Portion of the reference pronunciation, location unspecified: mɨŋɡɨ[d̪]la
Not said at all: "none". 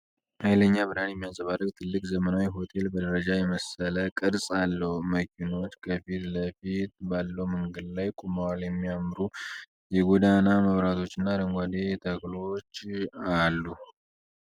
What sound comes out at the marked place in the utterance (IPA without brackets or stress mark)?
d̪